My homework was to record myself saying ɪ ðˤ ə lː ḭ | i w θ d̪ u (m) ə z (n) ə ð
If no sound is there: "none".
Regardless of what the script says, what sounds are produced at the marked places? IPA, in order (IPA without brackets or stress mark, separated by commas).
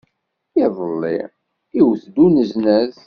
n, n